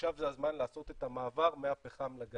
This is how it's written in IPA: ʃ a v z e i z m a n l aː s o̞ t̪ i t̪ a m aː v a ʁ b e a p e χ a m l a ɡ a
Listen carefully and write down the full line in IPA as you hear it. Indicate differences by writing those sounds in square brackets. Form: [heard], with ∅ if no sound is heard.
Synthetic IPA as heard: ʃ a v z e [a] z m a n l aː s o̞ t̪ [e] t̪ a m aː v a ʁ [m] e a p e χ a m l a ɡ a